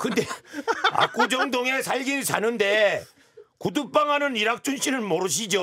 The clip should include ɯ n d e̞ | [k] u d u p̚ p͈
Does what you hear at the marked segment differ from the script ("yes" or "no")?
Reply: no